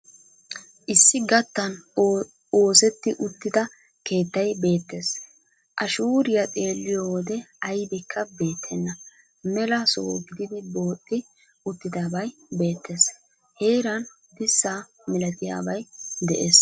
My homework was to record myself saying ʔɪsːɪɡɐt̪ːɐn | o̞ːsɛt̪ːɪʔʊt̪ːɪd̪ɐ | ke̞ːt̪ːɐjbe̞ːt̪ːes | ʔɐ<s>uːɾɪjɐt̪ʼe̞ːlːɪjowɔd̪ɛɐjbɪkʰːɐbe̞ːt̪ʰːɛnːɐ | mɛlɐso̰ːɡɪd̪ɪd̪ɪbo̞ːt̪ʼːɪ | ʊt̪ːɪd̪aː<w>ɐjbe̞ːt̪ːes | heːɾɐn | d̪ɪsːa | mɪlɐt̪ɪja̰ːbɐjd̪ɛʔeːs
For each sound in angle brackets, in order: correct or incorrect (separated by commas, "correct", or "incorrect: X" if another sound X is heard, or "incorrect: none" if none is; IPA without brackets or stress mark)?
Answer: incorrect: ʃ, incorrect: b